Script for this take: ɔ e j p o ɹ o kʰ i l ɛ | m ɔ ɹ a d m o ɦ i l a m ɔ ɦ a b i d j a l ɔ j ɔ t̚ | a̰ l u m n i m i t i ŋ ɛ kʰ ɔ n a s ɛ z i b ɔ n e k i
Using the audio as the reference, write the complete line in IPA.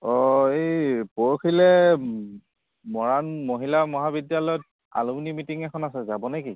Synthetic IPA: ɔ e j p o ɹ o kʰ i l ɛ | m ɔ ɹ a n m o ɦ i l a m ɔ ɦ a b i d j a l ɔ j ɔ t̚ | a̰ l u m n i m i t i ŋ ɛ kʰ ɔ n a s ɛ z a b ɔ n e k i

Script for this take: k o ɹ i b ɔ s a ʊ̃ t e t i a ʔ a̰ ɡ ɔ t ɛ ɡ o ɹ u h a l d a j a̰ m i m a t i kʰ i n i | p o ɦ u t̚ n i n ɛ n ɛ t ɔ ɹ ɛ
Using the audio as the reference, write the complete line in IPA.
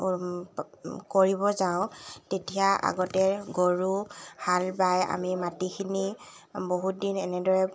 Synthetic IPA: k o ɹ i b ɔ z a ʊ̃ t e t i a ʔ a̰ ɡ ɔ t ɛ ɡ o ɹ u h a l b a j a̰ m i m a t i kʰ i n i | b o ɦ u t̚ d i n ɛ n ɛ d ɔ ɹ ɛ

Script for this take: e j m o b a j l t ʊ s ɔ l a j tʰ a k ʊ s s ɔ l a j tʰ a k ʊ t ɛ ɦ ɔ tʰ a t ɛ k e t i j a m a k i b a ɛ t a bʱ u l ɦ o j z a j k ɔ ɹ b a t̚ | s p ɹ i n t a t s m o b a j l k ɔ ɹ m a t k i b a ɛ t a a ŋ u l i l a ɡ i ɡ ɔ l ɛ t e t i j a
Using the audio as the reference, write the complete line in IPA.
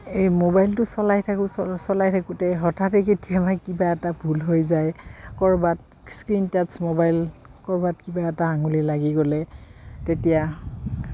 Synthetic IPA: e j m o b a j l t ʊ s ɔ l a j tʰ a k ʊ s s ɔ l a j tʰ a k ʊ t ɛ ɦ ɔ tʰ a t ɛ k e t i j a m a k i b a ɛ t a bʱ u l ɦ o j z a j k ɔ ɹ b a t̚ | s k ɹ i n t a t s m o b a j l k ɔ ɹ b a t k i b a ɛ t a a ŋ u l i l a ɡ i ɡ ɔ l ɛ t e t i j a

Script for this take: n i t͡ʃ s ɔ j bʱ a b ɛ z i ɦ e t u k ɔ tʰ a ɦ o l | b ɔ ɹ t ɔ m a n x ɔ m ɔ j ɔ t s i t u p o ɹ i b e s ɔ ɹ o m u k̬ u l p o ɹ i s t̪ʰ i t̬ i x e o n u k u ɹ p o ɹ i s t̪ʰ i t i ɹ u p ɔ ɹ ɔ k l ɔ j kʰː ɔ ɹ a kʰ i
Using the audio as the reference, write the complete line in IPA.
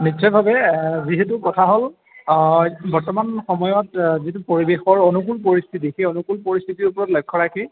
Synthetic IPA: n i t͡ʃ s ɔ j bʱ a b ɛ z i ɦ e t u k ɔ tʰ a ɦ o l | b ɔ ɹ t ɔ m a n x ɔ m ɔ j ɔ t z i t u p o ɹ i b e x ɔ ɹ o n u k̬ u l p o ɹ i s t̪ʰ i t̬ i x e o n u k u l p o ɹ i s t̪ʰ i t i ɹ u p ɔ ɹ ɔ t l ɔ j kʰː ɔ ɹ a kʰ i

